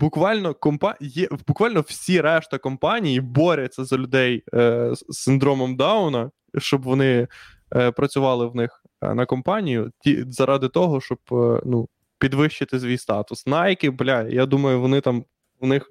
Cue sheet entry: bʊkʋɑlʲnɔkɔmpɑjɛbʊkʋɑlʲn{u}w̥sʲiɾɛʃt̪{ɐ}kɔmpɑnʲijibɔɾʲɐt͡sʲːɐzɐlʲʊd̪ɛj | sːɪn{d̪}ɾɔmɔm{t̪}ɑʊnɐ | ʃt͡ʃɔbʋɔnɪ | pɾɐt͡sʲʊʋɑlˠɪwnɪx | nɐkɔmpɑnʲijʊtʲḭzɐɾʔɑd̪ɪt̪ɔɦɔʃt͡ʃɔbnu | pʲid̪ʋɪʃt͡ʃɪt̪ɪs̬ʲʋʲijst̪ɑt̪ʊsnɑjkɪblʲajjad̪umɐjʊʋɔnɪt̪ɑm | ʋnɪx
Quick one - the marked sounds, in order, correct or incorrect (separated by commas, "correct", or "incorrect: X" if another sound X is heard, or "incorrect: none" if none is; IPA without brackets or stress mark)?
incorrect: ɔ, correct, correct, incorrect: d̪